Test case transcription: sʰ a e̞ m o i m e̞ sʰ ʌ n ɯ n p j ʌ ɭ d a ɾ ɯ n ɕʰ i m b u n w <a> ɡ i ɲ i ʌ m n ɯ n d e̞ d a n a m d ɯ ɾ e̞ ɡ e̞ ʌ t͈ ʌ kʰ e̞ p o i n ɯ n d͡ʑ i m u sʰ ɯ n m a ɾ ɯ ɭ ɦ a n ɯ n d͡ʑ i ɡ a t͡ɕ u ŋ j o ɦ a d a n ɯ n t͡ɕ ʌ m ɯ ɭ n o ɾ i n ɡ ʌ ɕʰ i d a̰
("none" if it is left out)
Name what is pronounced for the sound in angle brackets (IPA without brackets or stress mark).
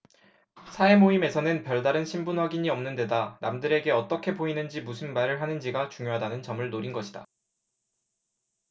a